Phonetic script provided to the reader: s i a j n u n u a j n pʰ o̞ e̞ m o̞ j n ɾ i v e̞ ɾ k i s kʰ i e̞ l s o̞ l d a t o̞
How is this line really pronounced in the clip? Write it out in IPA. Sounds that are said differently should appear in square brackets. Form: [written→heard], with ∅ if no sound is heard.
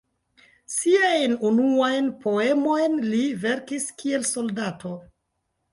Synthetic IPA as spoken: s i a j n u n u a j n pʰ o̞ e̞ m o̞ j n [ɾ→l] i v e̞ ɾ k i s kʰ i e̞ l s o̞ l d a t o̞